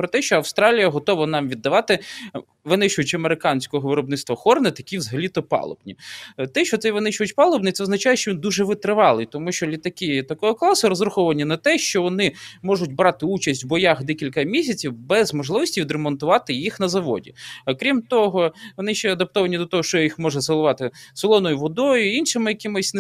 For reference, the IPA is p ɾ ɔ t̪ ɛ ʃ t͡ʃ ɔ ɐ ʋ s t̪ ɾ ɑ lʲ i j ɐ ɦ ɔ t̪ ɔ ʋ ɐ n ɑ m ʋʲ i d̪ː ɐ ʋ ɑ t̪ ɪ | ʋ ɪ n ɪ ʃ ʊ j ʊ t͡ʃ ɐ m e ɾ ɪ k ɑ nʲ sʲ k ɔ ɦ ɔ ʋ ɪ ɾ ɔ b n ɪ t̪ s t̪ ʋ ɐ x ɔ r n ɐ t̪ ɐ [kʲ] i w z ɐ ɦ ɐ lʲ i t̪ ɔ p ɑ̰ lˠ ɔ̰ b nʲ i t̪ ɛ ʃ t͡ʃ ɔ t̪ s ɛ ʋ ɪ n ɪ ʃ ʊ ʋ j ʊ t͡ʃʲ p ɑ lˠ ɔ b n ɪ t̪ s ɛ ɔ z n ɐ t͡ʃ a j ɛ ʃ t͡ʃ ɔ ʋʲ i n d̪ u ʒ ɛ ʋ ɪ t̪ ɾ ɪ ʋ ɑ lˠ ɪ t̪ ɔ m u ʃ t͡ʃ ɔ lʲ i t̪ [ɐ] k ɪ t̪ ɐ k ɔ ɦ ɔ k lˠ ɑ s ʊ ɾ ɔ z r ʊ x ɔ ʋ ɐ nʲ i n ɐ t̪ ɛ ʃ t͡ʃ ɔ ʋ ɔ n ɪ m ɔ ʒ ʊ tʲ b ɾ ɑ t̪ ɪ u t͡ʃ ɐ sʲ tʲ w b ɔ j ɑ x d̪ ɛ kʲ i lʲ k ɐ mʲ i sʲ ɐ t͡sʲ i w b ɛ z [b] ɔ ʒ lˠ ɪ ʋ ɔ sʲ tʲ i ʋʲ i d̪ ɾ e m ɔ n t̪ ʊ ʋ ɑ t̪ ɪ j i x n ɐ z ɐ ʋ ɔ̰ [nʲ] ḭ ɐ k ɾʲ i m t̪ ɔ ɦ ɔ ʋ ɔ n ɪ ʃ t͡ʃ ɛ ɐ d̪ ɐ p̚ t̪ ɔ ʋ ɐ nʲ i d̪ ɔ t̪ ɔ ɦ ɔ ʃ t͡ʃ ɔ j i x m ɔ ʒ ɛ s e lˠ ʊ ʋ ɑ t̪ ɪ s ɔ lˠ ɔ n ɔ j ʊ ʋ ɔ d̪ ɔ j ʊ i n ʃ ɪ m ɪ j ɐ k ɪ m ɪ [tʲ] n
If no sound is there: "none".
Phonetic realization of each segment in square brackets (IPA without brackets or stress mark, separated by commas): kʲ, ɐ, m, dʲ, sʲ